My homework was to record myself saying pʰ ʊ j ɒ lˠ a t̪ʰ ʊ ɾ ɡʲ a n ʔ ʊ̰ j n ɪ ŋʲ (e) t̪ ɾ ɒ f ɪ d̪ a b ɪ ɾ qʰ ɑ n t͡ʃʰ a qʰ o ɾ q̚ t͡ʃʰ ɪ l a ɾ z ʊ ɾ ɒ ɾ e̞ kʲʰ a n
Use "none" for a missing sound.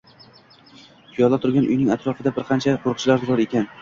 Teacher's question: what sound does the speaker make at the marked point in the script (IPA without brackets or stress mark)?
a